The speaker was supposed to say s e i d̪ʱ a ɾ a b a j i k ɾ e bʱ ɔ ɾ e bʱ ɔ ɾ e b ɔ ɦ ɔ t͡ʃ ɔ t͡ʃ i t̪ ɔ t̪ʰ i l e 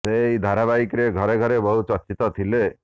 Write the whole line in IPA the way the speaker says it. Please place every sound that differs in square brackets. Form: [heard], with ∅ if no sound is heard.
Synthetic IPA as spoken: s e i d̪ʱ a ɾ a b a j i k ɾ e [ɡʱ] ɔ ɾ e [ɡʱ] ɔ ɾ e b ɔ ɦ [u] t͡ʃ ɔ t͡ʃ i t̪ ɔ t̪ʰ i l e